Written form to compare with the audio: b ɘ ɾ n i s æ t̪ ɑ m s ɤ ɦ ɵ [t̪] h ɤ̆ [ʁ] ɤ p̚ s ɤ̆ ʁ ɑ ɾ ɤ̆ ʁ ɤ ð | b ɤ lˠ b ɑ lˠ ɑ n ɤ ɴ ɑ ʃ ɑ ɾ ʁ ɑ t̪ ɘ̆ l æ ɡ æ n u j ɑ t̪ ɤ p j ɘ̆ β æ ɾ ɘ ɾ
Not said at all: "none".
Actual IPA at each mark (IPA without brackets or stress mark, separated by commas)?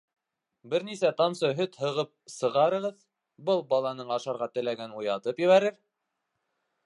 t̪, ʁ